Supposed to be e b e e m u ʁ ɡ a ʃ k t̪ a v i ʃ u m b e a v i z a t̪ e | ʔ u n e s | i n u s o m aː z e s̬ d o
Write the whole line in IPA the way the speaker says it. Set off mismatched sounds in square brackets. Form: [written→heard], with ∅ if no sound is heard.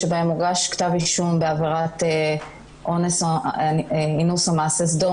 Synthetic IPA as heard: e b [e→a] e m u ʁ ɡ a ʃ k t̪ a v i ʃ u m b e a v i [z→ʁ] a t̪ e | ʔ [u→o] n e s | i n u s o m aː [z→s] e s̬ d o